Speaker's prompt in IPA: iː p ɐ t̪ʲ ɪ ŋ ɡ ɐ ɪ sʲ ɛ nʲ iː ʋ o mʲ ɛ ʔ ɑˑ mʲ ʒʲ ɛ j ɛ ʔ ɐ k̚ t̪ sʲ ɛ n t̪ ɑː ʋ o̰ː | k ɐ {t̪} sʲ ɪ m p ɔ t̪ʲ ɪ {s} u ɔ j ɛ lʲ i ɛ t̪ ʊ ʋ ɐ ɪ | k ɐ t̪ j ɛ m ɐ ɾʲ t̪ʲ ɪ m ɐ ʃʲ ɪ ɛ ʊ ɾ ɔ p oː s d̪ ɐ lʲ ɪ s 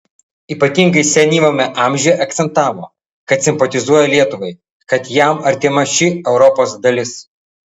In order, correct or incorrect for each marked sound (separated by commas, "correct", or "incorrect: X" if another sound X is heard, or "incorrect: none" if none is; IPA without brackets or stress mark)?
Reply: correct, incorrect: z